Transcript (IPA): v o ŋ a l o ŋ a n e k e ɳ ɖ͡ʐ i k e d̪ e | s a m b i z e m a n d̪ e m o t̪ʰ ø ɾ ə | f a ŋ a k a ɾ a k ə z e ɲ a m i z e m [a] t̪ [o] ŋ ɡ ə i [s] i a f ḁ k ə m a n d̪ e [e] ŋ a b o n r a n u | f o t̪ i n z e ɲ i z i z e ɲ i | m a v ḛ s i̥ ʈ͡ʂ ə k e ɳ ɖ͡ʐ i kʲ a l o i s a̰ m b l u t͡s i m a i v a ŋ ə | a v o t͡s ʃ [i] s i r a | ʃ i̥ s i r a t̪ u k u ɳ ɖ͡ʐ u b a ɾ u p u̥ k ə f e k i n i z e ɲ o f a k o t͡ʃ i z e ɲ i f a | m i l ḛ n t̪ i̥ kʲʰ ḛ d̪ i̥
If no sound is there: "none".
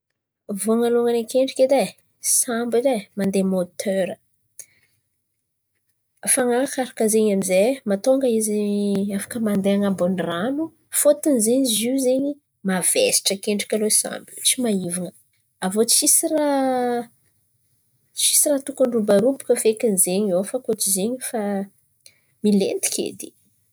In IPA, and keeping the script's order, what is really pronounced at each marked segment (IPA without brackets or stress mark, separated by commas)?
a, o, z, a, i